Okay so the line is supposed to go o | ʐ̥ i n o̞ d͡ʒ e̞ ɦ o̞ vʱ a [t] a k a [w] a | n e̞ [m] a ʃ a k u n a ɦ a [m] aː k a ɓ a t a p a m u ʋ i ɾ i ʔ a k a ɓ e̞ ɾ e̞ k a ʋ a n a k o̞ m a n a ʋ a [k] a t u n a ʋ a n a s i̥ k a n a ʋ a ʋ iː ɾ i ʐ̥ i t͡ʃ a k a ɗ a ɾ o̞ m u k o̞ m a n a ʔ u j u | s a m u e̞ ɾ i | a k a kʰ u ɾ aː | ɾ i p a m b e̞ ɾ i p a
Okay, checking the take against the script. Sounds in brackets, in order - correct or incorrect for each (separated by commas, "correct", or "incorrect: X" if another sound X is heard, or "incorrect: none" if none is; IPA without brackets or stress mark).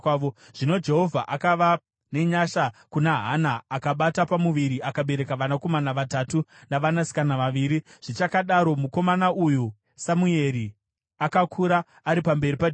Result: incorrect: ʔ, incorrect: ʋ, incorrect: ɲ, incorrect: n, incorrect: t